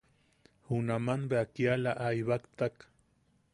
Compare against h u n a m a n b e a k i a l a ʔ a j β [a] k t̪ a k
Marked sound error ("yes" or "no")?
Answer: no